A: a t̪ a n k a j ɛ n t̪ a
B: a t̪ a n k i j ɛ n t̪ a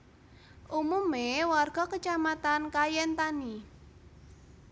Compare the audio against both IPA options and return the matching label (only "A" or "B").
A